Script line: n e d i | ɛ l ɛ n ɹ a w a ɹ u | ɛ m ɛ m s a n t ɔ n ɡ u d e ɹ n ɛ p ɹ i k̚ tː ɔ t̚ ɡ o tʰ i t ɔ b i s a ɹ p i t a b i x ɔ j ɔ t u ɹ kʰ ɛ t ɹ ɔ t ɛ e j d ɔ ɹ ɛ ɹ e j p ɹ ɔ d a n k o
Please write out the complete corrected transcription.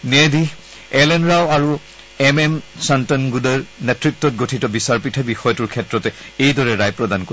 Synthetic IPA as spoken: n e d i | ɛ l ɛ n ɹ a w a ɹ u | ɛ m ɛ m s a n t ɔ n ɡ u d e ɹ n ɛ t ɹ i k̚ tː ɔ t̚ ɡ o tʰ i t ɔ b i s a ɹ p i tʰ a b i x ɔ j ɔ t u ɹ kʰ ɛ t ɹ ɔ t ɛ e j d ɔ ɹ ɛ ɹ a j p ɹ ɔ d a n k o